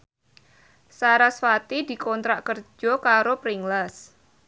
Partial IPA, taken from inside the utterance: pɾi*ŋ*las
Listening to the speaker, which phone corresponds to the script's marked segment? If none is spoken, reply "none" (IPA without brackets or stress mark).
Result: ŋ